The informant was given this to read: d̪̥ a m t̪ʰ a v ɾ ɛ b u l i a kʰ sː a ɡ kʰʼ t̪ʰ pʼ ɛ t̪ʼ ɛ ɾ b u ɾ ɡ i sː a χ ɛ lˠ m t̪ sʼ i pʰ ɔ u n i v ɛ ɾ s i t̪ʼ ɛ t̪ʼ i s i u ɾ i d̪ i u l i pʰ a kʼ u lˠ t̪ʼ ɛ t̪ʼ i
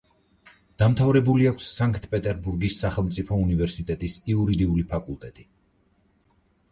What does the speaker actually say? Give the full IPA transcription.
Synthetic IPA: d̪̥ a m t̪ʰ a v ɾ ɛ b u l i a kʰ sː a ŋ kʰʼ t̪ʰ pʼ ɛ t̪ʼ ɛ ɾ b u ɾ ɡ i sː a χ ɛ lˠ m t̪ sʼ i pʰ ɔ u n i v ɛ ɾ s i t̪ʼ ɛ t̪ʼ i s i u ɾ i d̪ i u l i pʰ a kʼ u lˠ t̪ʼ ɛ t̪ʼ i